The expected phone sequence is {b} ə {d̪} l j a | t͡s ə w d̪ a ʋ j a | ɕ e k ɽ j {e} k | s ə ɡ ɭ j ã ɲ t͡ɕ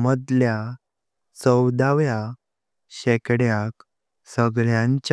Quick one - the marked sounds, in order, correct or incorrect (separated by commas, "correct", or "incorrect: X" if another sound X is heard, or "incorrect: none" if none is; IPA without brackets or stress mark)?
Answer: incorrect: m, correct, incorrect: a